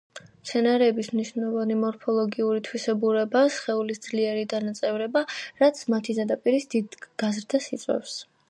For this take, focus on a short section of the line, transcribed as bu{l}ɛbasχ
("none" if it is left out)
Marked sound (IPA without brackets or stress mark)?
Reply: ɾ